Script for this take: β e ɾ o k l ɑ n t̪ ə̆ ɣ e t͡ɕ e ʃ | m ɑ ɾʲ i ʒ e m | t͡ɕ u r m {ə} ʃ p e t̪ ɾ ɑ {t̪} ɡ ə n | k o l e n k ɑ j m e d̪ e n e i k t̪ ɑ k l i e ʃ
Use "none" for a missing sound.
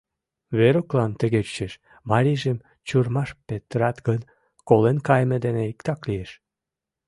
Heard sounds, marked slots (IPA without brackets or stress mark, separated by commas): ɑ, t̪